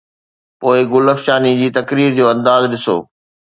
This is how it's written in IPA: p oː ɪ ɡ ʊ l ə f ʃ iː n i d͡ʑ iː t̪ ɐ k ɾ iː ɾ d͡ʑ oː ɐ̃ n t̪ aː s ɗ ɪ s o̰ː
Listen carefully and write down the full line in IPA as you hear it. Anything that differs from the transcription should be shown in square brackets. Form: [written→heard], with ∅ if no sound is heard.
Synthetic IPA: p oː ɪ ɡ ʊ l ə f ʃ [iː→aː] n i d͡ʑ iː t̪ ɐ k ɾ iː ɾ d͡ʑ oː ɐ̃ n [t̪→d̪] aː [s→z] ɗ ɪ s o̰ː